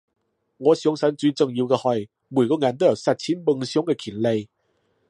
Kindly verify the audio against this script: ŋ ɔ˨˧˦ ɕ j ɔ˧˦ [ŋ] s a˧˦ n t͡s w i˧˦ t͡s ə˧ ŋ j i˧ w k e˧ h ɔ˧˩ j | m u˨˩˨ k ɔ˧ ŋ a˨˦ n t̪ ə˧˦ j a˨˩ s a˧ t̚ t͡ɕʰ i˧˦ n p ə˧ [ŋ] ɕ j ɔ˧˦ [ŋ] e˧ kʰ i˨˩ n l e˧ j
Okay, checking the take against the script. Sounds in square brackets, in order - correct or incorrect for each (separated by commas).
correct, correct, correct